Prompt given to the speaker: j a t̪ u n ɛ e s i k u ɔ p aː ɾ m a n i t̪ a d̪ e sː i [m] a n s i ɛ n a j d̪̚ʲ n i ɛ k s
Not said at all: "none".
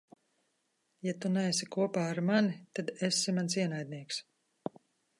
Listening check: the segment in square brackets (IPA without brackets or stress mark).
m